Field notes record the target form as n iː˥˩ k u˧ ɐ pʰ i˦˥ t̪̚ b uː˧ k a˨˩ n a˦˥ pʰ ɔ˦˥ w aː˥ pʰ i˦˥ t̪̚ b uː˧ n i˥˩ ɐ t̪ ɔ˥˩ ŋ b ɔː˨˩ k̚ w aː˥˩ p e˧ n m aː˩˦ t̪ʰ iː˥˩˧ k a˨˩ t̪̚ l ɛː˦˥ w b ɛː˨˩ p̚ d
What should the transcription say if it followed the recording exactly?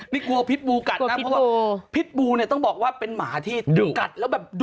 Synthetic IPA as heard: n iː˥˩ k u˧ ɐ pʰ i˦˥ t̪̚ b uː˧ k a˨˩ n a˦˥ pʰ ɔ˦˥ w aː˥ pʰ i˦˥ t̪̚ b uː˧ n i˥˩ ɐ t̪ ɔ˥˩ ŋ b ɔː˨˩ k̚ w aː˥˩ p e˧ n m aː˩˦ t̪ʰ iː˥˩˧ k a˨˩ t̪̚ l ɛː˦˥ w b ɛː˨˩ p̚ d